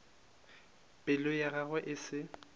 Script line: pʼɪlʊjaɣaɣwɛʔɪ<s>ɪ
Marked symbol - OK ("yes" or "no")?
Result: yes